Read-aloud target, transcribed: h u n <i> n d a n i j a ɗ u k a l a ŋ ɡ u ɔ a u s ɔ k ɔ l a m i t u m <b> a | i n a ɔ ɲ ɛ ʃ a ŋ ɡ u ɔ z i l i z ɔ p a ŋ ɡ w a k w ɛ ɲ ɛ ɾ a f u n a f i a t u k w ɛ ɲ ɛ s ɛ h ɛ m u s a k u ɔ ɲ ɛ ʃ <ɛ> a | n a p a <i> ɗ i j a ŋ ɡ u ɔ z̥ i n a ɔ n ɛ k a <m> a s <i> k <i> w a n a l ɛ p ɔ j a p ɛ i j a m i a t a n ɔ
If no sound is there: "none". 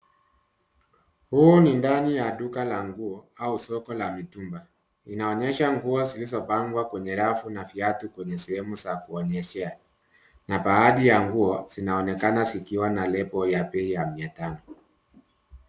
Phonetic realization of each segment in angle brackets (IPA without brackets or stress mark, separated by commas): i, b, ɛ, a, n, i, i